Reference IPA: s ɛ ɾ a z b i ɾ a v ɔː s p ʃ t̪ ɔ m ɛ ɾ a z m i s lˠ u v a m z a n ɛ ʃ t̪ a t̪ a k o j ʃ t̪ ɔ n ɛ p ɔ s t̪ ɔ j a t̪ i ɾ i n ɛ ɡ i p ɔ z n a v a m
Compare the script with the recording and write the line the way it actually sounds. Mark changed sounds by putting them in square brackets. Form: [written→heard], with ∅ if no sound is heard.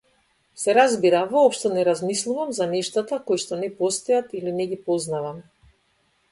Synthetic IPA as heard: s ɛ ɾ a z b i ɾ a v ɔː [s→∅] p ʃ t̪ ɔ [m→n] ɛ ɾ a z m i s lˠ u v a m z a n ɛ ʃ t̪ a t̪ a k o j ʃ t̪ ɔ n ɛ p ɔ s t̪ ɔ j a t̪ i [ɾ→l] i n ɛ ɡ i p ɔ z n a v a m